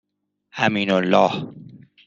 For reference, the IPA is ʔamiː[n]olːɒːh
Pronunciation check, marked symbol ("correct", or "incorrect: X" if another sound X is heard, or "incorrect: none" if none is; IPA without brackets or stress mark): correct